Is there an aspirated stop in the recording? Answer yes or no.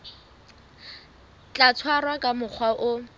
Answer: yes